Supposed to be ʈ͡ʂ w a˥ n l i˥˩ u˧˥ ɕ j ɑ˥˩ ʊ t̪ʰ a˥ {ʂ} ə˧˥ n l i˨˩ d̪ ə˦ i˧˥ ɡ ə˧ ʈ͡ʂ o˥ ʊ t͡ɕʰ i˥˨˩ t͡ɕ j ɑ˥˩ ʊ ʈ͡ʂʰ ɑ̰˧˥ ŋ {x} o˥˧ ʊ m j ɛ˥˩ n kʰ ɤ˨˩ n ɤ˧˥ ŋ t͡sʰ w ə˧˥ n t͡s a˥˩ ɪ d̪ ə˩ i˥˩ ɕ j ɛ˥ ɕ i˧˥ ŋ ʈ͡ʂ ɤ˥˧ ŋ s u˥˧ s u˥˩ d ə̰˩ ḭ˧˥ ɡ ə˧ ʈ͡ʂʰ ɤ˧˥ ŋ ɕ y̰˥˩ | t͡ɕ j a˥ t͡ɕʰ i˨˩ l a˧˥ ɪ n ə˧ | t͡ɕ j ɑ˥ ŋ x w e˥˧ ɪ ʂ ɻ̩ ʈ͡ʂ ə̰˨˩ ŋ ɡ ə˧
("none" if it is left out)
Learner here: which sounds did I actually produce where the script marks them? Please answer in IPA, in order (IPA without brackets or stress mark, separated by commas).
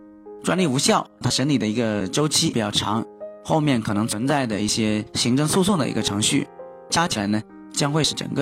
ʂ, x